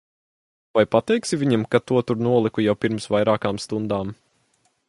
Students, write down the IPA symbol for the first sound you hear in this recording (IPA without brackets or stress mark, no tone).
v